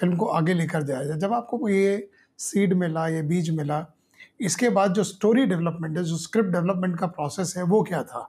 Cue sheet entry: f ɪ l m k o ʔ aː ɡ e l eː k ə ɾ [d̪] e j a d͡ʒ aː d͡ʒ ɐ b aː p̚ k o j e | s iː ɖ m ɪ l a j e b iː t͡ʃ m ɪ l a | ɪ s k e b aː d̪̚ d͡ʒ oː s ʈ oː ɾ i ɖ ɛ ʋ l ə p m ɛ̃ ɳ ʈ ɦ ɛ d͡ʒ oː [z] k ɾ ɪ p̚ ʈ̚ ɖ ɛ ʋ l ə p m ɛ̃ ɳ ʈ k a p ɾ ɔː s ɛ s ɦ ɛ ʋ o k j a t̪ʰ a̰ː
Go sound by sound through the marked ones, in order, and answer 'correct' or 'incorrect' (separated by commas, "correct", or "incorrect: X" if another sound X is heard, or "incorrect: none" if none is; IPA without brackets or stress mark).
correct, incorrect: s